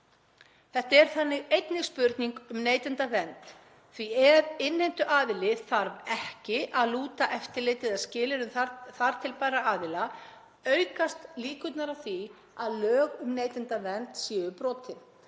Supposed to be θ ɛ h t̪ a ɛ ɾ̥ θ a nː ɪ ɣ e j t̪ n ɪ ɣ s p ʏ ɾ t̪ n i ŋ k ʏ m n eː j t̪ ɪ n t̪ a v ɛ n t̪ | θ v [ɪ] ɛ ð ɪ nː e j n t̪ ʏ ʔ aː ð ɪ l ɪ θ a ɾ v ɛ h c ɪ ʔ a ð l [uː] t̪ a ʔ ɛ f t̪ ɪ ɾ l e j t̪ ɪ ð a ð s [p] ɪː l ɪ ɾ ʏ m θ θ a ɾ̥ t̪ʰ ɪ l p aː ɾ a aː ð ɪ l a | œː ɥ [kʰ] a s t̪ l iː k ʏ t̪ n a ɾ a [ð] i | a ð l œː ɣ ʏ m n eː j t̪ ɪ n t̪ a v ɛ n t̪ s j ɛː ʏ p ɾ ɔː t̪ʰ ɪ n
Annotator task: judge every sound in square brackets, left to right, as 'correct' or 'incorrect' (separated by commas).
incorrect, correct, incorrect, incorrect, incorrect